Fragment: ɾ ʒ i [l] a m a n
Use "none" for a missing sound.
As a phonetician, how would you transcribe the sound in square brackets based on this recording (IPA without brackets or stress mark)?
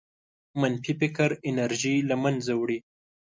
l